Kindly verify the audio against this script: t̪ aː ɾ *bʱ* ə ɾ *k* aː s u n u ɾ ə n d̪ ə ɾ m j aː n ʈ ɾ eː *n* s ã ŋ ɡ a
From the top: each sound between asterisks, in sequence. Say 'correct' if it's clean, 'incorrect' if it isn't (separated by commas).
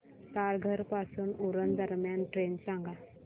incorrect, incorrect, correct